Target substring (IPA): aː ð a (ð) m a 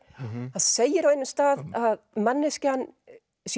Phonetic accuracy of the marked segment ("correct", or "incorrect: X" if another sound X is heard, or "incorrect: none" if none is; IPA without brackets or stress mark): correct